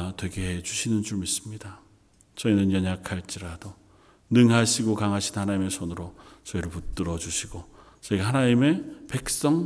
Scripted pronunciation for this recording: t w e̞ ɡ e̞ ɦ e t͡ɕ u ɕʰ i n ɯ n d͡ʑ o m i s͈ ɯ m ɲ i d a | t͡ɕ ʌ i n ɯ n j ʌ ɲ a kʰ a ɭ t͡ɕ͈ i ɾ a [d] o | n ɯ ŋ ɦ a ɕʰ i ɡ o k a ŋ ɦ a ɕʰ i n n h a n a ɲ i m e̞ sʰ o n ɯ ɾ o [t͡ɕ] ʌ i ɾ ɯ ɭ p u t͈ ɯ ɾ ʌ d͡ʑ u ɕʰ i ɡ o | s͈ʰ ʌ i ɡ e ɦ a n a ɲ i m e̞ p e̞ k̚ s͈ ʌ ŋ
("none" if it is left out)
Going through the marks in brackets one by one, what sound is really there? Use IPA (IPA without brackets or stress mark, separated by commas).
d, t͡ɕ